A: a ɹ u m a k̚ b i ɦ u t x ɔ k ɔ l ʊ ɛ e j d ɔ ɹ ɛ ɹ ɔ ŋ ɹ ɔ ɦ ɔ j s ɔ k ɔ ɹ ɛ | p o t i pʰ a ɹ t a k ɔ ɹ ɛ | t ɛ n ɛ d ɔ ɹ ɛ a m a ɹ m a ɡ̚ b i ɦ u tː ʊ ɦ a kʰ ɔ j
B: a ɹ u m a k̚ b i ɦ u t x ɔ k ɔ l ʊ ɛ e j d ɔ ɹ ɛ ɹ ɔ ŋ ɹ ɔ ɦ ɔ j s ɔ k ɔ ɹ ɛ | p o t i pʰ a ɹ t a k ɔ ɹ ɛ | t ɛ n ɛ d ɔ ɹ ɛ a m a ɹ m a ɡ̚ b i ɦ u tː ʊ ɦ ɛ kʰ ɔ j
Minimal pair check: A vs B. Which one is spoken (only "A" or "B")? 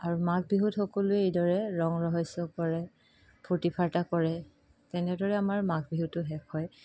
B